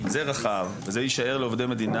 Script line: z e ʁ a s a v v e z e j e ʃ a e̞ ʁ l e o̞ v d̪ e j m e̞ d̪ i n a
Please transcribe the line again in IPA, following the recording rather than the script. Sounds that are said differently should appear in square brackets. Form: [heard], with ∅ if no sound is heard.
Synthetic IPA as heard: z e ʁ a [χ] a v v e z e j [i] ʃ a e̞ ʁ l e o̞ v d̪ e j m e̞ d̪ i n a